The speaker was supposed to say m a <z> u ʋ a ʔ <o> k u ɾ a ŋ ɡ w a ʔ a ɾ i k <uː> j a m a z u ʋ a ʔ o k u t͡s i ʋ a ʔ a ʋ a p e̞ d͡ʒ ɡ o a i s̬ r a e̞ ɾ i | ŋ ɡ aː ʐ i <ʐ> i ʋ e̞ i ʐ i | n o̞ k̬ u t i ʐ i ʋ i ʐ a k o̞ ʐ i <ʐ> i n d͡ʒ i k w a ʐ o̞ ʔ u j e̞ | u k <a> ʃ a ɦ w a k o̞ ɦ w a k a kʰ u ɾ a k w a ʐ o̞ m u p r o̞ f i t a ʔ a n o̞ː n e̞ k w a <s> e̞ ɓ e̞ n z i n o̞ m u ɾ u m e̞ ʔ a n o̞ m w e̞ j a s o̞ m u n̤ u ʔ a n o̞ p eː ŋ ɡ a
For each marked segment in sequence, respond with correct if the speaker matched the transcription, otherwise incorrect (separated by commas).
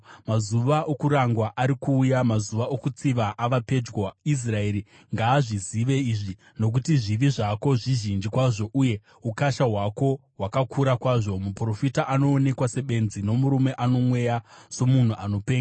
correct, correct, correct, incorrect, incorrect, correct, correct